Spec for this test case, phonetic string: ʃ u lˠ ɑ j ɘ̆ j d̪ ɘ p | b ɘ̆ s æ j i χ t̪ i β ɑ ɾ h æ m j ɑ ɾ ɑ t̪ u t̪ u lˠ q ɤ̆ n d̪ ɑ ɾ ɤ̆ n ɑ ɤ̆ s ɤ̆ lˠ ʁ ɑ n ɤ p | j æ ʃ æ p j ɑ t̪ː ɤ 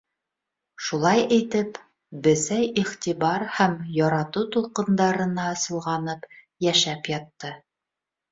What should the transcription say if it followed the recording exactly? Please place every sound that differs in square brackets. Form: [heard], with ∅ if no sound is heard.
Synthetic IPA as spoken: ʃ u lˠ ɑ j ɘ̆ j [t̪] ɘ p | b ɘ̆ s æ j i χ t̪ i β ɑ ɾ h æ m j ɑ ɾ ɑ t̪ u t̪ u lˠ q ɤ̆ n d̪ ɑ ɾ ɤ̆ n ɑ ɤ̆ s ɤ̆ lˠ ʁ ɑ n ɤ p | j æ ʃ æ p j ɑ t̪ː ɤ

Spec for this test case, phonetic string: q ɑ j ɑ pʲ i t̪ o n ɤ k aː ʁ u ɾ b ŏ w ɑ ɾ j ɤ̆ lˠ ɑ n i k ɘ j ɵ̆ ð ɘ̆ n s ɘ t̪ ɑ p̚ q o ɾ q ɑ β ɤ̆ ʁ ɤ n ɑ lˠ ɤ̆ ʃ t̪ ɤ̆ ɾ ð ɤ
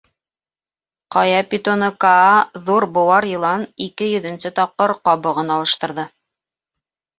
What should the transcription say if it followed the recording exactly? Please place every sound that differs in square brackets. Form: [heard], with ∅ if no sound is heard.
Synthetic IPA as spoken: q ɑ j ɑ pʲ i t̪ o n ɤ k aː [ð] u ɾ b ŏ w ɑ ɾ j ɤ̆ lˠ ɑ n i k ɘ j ɵ̆ ð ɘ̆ n s ɘ t̪ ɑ p̚ q [ɤ] ɾ q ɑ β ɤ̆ ʁ ɤ n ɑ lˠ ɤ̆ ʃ t̪ ɤ̆ ɾ ð ɤ

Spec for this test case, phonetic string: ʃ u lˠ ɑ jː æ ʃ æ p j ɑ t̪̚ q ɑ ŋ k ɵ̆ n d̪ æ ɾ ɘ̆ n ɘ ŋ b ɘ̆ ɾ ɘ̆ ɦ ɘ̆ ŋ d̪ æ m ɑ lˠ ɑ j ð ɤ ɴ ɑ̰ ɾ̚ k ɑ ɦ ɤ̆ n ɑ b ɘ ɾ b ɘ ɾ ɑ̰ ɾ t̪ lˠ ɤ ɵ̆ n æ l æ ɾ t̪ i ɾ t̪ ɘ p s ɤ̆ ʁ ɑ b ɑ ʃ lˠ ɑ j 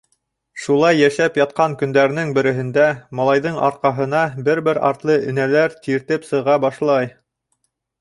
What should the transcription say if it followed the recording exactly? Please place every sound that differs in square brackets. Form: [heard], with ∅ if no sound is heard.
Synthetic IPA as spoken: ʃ u lˠ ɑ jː æ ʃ æ p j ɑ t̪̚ q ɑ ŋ k ɵ̆ n d̪ æ ɾ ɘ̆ n ɘ ŋ b ɘ̆ ɾ ɘ̆ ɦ ɘ̆ [n] d̪ æ m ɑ lˠ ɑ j ð ɤ ɴ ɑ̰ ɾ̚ [q] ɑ ɦ ɤ̆ n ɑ b ɘ ɾ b ɘ ɾ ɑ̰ ɾ t̪ lˠ ɤ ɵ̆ n æ l æ ɾ t̪ i ɾ t̪ ɘ p s ɤ̆ ʁ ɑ b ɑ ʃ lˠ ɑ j

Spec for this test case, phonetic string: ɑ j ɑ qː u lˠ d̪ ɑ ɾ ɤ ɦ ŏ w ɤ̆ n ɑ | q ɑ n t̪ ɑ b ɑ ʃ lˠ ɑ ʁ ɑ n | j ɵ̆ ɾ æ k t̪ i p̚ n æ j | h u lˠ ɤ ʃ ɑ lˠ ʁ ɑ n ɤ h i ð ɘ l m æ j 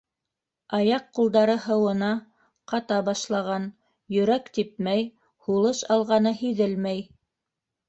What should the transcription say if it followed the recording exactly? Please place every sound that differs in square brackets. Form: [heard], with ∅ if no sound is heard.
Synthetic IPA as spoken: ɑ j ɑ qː u lˠ d̪ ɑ ɾ ɤ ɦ [ɤ̆] w ɤ̆ n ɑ | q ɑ [∅] t̪ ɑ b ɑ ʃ lˠ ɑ ʁ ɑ n | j ɵ̆ ɾ æ k t̪ i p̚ [m] æ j | h u lˠ ɤ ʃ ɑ lˠ ʁ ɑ n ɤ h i ð ɘ l m æ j

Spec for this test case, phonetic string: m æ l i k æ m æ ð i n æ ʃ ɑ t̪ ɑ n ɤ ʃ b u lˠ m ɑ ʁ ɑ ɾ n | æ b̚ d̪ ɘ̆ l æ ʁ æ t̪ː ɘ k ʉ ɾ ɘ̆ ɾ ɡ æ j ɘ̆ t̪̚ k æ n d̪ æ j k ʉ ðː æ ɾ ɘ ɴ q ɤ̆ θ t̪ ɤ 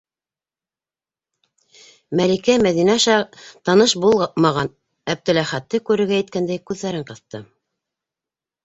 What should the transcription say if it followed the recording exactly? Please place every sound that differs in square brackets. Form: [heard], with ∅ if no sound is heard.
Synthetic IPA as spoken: m æ l i k æ m æ ð i n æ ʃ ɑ t̪ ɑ n ɤ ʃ b u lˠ m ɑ ʁ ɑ [∅] n | æ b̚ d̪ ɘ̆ l æ [χ] æ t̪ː ɘ k ʉ ɾ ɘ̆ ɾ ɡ æ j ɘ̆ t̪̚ k æ n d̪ æ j k ʉ ðː æ ɾ ɘ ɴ q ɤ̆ θ t̪ ɤ

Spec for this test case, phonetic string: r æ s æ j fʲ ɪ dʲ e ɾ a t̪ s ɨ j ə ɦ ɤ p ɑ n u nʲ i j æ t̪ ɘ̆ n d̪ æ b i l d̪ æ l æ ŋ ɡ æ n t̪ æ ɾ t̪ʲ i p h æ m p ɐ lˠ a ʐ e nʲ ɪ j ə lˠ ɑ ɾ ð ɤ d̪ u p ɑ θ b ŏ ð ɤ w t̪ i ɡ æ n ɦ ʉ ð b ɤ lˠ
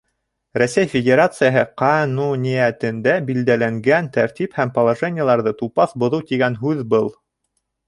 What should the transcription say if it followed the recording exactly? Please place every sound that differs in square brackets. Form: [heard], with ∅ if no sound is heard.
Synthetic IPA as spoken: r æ s æ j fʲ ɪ dʲ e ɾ a t̪ s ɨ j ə ɦ ɤ [q] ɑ n u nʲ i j æ t̪ ɘ̆ n d̪ æ b i l d̪ æ l æ ŋ ɡ æ n t̪ æ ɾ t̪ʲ i p h æ m p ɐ lˠ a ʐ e nʲ ɪ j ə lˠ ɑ ɾ ð ɤ [t̪] u p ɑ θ b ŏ ð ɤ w t̪ i ɡ æ n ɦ ʉ ð b ɤ lˠ

